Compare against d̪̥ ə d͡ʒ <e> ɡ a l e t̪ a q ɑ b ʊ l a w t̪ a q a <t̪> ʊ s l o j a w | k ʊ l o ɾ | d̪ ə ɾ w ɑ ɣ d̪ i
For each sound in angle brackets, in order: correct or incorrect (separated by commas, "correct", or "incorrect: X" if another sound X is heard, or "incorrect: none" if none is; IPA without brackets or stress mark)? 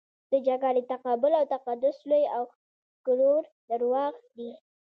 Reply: incorrect: a, incorrect: d̪